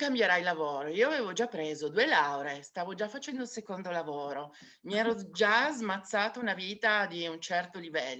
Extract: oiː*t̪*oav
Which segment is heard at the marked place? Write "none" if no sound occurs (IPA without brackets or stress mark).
none